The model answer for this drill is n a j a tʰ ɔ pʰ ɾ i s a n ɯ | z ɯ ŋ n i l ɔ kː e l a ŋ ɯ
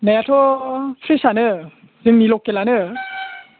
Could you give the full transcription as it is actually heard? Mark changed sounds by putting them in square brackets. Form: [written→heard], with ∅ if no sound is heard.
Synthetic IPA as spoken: n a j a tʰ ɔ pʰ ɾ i s a n ɯ | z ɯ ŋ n i l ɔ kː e l a [ŋ→n] ɯ